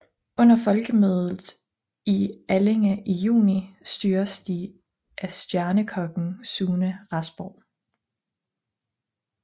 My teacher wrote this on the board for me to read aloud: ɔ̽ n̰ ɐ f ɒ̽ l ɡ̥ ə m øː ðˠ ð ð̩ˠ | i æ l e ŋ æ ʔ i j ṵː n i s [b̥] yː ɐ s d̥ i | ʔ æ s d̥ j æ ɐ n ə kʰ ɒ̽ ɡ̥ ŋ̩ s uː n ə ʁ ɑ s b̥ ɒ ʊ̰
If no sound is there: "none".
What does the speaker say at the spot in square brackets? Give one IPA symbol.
d̥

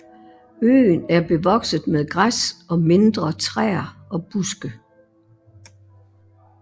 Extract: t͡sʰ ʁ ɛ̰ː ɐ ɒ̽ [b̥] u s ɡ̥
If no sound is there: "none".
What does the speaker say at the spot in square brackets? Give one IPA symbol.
b̥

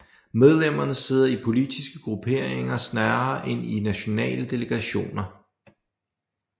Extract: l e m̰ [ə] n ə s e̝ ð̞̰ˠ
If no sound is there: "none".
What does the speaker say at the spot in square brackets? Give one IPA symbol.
ɐ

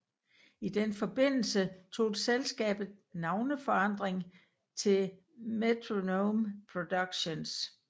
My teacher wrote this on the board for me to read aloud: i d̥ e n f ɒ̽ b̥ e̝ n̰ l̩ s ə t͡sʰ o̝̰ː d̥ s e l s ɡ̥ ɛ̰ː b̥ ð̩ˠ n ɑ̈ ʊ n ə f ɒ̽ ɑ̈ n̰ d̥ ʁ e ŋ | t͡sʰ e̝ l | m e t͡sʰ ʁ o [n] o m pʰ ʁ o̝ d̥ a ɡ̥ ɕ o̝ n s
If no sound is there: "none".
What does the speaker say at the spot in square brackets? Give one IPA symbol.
n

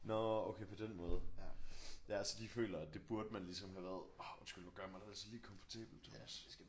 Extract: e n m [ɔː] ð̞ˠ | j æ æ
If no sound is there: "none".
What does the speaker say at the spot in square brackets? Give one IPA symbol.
ɔː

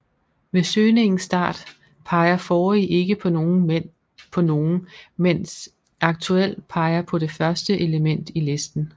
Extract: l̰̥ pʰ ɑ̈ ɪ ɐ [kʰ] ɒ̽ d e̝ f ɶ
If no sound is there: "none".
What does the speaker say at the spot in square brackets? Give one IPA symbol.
pʰ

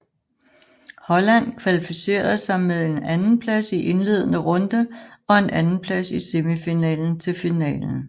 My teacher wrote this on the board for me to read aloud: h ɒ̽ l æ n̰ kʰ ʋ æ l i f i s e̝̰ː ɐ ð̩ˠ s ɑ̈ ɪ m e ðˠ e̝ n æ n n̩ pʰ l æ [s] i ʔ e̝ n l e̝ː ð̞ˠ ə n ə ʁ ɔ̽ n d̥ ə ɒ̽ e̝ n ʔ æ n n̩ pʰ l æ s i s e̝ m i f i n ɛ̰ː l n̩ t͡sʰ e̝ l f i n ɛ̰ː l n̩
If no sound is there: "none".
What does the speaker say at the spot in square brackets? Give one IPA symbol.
s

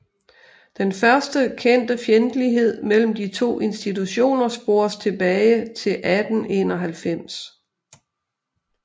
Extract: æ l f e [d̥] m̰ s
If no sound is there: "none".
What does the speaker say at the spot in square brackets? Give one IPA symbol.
none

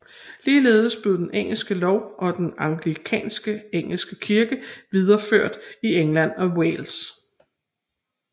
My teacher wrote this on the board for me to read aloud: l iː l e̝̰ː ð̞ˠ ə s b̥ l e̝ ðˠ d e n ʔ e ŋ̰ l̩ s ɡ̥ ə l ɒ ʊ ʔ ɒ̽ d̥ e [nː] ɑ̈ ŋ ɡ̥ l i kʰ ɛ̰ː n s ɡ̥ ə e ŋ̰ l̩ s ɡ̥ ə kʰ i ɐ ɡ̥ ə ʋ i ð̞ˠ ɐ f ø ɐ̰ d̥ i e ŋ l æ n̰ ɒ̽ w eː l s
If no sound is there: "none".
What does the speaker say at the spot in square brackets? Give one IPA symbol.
n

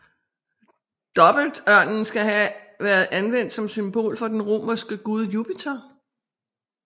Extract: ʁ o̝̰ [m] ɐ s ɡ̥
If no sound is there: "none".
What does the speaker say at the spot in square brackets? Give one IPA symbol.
m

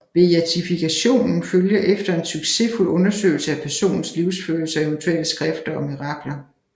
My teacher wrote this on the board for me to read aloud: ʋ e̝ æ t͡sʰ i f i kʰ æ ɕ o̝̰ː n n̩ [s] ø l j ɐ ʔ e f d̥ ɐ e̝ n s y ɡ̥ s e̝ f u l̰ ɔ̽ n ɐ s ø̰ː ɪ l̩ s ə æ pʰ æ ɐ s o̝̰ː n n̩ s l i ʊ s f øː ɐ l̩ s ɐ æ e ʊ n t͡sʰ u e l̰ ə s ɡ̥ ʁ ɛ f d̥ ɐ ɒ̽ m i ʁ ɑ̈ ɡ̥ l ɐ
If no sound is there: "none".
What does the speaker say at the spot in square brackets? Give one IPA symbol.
f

